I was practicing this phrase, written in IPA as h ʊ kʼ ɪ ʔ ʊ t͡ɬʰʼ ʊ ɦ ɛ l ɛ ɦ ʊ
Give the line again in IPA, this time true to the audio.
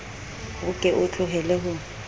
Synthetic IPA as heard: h ʊ kʼ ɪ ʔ ʊ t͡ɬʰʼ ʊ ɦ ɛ l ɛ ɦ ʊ